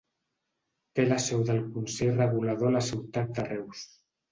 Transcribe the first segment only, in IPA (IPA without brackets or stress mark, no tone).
t̪